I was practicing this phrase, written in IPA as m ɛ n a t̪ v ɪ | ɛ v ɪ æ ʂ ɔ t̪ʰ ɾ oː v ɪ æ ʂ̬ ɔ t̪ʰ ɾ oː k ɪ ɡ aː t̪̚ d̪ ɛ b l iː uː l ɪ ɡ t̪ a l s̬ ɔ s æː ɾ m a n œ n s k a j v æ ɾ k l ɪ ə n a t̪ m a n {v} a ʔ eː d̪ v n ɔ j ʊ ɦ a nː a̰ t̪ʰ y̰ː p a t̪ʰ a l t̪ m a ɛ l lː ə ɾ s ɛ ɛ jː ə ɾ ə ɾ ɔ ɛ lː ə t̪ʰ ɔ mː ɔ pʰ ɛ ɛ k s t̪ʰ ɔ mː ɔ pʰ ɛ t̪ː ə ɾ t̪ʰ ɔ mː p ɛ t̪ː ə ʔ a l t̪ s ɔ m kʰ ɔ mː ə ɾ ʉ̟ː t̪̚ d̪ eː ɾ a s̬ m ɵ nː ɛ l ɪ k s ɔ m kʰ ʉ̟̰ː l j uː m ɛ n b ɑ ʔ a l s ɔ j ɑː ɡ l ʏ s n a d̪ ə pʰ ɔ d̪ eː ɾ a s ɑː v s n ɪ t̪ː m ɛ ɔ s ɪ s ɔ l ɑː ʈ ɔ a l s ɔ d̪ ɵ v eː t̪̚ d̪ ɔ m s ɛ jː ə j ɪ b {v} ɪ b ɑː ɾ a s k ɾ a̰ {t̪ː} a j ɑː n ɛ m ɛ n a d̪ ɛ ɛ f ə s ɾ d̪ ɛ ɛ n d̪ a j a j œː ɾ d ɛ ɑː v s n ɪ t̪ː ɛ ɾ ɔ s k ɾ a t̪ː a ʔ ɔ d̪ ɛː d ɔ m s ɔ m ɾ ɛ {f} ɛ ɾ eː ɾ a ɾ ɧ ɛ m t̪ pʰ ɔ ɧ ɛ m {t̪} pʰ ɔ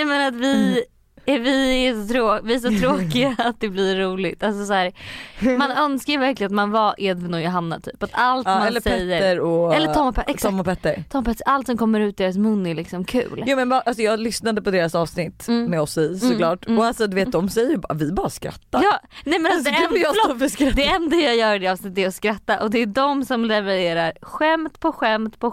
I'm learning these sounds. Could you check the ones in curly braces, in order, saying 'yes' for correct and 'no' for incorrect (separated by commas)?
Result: yes, yes, yes, no, yes